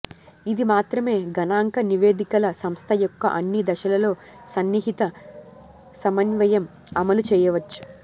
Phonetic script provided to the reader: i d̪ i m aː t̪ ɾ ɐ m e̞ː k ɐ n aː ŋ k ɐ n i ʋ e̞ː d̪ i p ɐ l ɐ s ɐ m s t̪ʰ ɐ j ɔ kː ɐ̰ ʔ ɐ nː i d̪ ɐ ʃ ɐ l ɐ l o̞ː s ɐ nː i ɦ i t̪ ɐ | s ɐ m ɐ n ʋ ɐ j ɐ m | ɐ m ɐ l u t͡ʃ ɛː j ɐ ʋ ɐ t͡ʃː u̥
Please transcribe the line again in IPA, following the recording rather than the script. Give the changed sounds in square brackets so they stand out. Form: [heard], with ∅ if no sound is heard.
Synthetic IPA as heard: i d̪ i m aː t̪ ɾ ɐ m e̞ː [ɡ] ɐ n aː ŋ k ɐ n i ʋ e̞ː d̪ i [k] ɐ l ɐ s ɐ m s t̪ʰ ɐ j ɔ kː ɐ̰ ʔ ɐ nː i d̪ ɐ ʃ ɐ l ɐ l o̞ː s ɐ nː i ɦ i t̪ ɐ | s ɐ m ɐ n ʋ ɐ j ɐ m | ɐ m ɐ l u t͡ʃ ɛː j ɐ ʋ ɐ t͡ʃː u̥